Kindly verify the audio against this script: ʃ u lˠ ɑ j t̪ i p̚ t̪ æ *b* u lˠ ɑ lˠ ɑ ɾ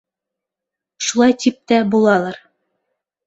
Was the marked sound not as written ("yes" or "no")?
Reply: no